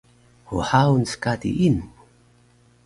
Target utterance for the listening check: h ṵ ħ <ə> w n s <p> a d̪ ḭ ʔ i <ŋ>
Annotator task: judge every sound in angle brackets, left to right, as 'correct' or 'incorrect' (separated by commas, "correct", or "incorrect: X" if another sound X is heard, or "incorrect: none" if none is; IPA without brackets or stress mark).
incorrect: a, incorrect: k, incorrect: n